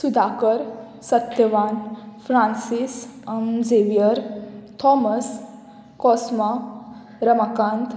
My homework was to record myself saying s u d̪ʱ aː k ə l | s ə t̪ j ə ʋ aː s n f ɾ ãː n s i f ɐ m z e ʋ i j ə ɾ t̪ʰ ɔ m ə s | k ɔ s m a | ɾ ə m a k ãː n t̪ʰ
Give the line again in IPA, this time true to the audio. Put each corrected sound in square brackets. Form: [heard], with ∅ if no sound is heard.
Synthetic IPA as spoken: s u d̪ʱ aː k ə [ɾ] | s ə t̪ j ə ʋ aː [∅] n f ɾ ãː n s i [s] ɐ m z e ʋ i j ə ɾ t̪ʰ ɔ m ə s | k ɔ s m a | ɾ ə m a k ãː n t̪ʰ